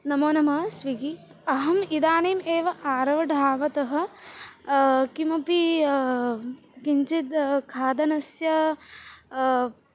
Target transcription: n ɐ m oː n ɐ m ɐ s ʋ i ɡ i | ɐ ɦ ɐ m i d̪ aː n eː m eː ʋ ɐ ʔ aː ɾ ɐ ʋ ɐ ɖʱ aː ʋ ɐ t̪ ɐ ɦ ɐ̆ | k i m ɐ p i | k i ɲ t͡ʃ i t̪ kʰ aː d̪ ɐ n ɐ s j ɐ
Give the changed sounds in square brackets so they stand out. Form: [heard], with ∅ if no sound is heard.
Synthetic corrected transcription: n ɐ m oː n ɐ m ɐ s ʋ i ɡ i | ɐ ɦ ɐ m i d̪ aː n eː m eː ʋ ɐ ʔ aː ɾ ɐ ʋ ɐ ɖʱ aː ʋ ɐ t̪ ɐ ɦ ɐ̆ | k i m ɐ p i | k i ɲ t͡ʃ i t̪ kʰ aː d̪ ɐ n ɐ s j ɐ